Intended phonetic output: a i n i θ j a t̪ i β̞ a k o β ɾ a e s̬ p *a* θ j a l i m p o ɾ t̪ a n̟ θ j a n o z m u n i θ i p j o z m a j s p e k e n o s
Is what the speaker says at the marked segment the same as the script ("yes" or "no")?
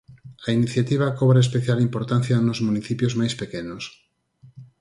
no